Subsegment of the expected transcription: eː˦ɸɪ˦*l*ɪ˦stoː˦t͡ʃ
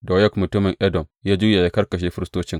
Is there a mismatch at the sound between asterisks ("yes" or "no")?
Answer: yes